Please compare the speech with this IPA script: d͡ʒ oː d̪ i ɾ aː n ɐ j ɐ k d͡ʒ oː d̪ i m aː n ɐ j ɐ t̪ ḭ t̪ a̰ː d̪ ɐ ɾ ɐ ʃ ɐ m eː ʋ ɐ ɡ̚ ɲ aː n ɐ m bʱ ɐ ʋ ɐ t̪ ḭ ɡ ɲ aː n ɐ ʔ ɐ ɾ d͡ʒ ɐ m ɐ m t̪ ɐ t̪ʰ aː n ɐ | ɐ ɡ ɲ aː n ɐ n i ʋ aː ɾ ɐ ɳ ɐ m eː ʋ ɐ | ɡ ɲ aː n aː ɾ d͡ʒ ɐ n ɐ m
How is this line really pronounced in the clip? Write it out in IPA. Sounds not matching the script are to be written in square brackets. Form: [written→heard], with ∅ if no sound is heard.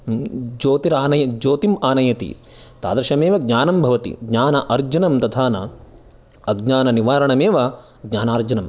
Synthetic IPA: d͡ʒ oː [d̪→t̪] i ɾ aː n ɐ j ɐ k d͡ʒ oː [d̪→t̪] i m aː n ɐ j ɐ t̪ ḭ t̪ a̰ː d̪ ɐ ɾ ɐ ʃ ɐ m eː ʋ ɐ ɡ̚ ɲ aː n ɐ m bʱ ɐ ʋ ɐ t̪ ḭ ɡ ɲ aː n ɐ ʔ ɐ ɾ d͡ʒ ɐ [m→n] ɐ m t̪ ɐ t̪ʰ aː n ɐ | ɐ ɡ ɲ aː n ɐ n i ʋ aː ɾ ɐ ɳ ɐ m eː ʋ ɐ | ɡ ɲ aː n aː ɾ d͡ʒ ɐ n ɐ m